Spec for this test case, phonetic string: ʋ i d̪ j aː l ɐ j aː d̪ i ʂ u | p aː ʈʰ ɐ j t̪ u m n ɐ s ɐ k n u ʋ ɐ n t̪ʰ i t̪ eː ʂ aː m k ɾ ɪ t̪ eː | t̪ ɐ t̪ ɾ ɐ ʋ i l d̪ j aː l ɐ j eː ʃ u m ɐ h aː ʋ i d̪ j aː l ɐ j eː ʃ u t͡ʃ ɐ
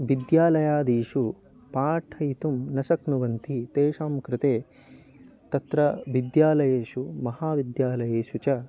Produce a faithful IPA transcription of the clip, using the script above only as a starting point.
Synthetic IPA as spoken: ʋ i d̪ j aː l ɐ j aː d̪ iː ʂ u | p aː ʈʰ ɐ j t̪ u m n ɐ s ɐ k n u ʋ ɐ n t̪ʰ i t̪ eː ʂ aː m k ɾ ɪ t̪ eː | t̪ ɐ t̪ ɾ ɐ ʋ i d̪ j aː l ɐ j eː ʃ u m ɐ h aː ʋ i d̪ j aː l ɐ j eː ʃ u t͡ʃ ɐ